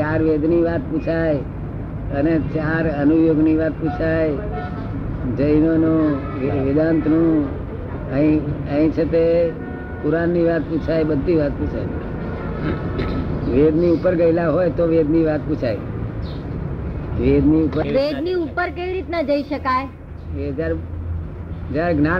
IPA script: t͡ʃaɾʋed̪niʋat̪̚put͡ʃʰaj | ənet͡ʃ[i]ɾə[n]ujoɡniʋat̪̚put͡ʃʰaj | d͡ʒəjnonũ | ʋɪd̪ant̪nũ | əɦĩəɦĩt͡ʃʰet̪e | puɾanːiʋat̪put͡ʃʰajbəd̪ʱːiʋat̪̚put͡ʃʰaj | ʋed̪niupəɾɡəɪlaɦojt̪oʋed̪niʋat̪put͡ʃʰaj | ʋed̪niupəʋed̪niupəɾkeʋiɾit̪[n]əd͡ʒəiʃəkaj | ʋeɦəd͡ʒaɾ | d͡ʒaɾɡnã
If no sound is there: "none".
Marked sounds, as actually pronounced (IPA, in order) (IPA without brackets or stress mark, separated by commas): a, n, n